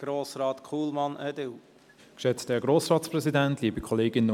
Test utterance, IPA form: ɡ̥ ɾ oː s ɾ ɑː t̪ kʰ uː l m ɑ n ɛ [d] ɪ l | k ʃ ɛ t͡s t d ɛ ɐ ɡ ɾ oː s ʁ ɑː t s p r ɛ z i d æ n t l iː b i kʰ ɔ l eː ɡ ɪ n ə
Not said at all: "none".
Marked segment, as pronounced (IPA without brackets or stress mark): d